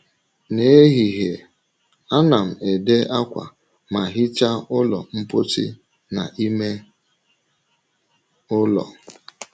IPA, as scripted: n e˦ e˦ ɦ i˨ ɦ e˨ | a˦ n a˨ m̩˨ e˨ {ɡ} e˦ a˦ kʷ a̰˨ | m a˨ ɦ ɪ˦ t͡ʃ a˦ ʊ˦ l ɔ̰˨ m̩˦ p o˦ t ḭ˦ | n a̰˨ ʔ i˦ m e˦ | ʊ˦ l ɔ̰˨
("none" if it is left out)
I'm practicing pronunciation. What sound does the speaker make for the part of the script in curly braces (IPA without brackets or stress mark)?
d